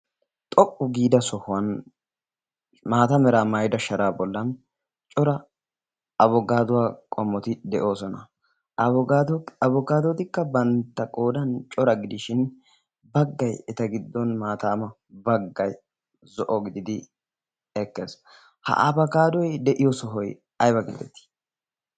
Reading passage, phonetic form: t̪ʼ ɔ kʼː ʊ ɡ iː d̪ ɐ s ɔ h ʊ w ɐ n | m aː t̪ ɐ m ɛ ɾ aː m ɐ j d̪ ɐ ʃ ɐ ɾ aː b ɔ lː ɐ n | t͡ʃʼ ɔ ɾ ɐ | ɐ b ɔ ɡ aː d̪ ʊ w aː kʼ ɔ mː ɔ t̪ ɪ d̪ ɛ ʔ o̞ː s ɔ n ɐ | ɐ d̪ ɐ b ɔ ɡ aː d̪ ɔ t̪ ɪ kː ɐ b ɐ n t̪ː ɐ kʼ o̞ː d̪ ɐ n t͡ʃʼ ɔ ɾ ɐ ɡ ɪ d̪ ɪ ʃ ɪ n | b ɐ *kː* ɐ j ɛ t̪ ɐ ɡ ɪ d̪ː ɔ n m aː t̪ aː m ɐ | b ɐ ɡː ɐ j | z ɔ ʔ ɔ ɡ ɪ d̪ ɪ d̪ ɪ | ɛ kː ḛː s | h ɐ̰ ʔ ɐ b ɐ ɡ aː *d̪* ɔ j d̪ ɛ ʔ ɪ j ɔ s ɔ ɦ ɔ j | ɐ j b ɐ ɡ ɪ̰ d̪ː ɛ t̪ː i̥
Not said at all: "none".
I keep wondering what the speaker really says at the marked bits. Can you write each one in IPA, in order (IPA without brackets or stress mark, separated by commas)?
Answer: ɡː, d̪